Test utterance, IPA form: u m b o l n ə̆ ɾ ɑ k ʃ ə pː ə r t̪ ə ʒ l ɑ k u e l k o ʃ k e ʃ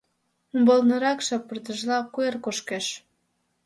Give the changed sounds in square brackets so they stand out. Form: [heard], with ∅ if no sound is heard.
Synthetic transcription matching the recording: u m b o l n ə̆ ɾ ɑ k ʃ [ɑ] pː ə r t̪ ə ʒ l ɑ k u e [r] k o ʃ k e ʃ